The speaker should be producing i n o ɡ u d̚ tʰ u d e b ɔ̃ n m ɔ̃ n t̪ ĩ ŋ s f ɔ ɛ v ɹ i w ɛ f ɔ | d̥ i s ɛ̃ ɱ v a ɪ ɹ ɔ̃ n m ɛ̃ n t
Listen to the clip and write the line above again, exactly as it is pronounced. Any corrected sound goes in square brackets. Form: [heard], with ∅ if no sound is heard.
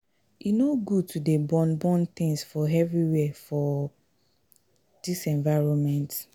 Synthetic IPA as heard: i n o ɡ u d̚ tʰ u d e b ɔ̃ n [b] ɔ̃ n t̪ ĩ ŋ s f ɔ ɛ v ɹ i w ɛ f ɔ | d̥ i s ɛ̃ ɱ v a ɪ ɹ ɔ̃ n m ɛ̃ n t